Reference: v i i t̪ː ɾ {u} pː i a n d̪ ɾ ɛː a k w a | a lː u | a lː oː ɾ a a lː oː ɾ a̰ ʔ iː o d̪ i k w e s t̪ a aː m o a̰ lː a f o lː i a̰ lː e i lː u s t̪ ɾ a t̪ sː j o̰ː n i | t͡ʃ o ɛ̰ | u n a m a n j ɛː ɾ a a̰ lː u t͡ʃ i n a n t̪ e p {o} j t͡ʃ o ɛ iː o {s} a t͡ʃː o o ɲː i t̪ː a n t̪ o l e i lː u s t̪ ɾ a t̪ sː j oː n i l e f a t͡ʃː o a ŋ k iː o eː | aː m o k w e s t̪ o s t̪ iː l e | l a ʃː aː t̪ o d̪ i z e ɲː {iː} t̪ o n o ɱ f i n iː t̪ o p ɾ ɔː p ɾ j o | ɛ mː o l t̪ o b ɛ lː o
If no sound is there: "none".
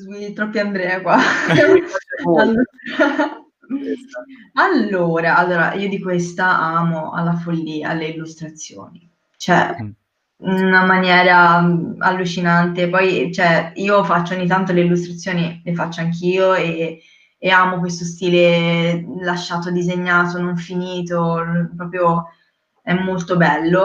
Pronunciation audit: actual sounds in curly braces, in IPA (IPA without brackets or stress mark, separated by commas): ɔ, ɔ, f, aː